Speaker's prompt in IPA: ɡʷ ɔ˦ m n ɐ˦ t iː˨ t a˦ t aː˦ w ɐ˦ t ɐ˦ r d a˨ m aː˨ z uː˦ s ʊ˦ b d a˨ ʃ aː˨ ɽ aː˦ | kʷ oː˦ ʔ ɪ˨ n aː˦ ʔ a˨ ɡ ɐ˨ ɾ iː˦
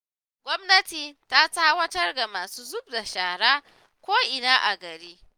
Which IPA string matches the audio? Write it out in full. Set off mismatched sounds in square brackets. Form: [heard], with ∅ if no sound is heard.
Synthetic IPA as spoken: ɡʷ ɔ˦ m n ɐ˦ t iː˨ t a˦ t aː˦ w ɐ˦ t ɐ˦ r d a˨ m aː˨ [s] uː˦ [z] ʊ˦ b d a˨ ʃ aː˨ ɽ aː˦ | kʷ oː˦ ʔ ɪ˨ n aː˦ ʔ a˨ ɡ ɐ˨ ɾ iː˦